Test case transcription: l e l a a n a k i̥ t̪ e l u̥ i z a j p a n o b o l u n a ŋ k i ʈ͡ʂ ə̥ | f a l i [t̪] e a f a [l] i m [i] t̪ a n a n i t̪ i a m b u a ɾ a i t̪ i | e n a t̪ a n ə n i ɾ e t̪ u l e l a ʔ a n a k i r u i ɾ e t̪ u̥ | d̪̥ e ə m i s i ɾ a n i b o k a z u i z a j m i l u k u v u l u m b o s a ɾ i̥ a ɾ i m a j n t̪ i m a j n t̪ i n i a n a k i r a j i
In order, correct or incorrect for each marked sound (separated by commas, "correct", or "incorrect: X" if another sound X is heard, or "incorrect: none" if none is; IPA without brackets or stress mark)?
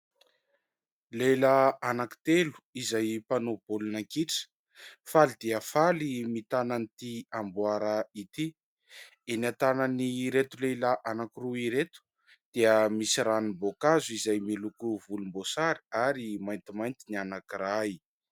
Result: incorrect: d̪, correct, correct